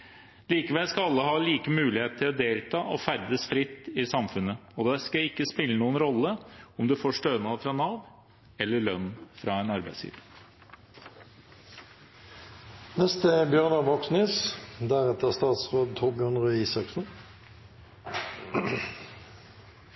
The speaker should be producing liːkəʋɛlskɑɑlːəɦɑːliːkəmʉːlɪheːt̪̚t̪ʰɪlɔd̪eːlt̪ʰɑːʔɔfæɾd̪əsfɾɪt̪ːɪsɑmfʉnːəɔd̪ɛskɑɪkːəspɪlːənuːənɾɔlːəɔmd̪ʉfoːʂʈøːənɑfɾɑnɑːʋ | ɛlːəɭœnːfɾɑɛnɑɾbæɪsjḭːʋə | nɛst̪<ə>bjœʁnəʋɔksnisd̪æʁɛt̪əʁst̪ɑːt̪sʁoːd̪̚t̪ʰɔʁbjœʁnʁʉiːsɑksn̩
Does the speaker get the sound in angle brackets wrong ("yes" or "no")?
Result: no